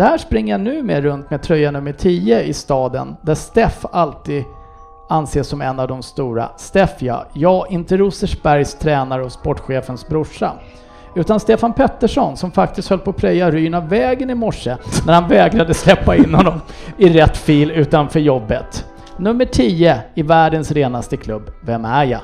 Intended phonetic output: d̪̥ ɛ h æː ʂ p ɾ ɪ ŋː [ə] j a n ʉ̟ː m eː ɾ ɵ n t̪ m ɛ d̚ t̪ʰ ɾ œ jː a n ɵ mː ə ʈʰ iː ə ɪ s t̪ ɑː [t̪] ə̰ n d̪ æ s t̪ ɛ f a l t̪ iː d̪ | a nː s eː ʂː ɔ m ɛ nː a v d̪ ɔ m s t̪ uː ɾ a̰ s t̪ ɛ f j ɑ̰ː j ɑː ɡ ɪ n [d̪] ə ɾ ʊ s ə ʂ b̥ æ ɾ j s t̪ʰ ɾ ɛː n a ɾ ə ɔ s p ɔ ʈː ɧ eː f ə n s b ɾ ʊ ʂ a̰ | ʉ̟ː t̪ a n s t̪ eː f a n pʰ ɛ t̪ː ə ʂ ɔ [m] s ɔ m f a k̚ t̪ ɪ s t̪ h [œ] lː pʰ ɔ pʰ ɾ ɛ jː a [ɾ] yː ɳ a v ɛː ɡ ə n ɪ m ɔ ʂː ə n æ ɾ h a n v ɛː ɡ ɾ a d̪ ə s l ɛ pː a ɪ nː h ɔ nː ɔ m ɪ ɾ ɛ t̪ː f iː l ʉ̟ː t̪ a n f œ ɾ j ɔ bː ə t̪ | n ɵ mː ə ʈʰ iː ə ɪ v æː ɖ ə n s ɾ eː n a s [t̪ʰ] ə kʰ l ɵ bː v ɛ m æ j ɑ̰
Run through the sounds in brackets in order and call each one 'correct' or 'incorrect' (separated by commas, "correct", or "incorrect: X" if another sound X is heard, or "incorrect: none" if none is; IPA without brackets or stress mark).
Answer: correct, incorrect: d̪, incorrect: t̪, incorrect: n, correct, correct, incorrect: t̪